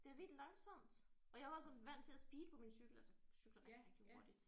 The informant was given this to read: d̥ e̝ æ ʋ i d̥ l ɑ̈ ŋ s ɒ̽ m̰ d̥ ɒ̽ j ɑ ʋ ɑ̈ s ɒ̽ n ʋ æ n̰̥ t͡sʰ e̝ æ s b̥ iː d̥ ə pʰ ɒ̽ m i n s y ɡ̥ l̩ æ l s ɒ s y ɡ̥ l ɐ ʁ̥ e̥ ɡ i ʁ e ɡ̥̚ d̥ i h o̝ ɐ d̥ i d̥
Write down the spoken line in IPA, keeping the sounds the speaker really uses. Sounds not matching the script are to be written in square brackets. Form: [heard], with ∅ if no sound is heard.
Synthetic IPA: d̥ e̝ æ ʋ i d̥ l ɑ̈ ŋ s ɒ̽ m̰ d̥ ɒ̽ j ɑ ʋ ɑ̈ s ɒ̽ n ʋ æ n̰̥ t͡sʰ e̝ æ s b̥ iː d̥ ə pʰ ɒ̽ m i n s y ɡ̥ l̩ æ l s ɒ s y ɡ̥ l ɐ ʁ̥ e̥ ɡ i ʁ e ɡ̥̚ d̥ i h o̝ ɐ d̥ i d̥